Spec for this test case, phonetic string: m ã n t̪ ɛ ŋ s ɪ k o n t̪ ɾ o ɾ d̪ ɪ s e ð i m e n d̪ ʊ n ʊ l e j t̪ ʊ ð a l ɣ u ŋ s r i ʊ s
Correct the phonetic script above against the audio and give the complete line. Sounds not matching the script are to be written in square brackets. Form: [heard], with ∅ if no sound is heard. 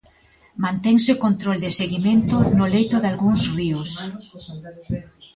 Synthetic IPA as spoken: m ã n t̪ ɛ ŋ s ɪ k o n t̪ ɾ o [l] d̪ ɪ s e [ɣ] i m e n [t̪] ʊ n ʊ l e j t̪ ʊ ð a l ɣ u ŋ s r i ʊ s